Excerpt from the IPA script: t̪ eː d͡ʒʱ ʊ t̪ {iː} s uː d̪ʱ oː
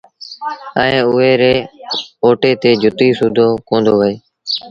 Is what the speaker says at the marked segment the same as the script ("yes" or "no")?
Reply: yes